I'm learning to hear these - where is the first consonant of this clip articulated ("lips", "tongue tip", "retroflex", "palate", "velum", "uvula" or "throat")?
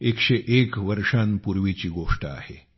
velum